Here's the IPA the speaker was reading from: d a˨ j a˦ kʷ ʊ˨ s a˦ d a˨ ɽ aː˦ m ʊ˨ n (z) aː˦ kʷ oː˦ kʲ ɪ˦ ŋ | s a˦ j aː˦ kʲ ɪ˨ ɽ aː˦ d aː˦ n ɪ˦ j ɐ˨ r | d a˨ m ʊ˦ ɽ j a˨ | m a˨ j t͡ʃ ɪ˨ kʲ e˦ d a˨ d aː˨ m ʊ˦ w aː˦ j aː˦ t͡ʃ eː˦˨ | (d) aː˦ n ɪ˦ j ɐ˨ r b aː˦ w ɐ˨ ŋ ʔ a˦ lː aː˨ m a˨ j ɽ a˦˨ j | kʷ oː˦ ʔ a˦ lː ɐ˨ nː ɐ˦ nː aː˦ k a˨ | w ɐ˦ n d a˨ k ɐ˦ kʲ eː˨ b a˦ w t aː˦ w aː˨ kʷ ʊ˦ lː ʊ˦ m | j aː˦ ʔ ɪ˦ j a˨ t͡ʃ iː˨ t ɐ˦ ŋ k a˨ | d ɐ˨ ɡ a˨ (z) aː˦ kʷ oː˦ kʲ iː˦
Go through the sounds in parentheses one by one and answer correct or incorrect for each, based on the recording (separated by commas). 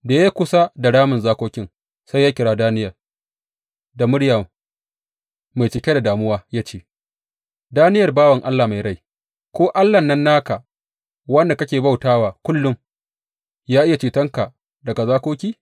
correct, correct, correct